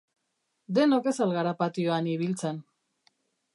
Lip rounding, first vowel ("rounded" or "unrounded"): unrounded